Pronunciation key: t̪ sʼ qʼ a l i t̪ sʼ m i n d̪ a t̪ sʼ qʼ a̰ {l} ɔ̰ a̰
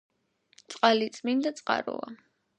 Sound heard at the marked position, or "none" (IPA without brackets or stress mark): ɾ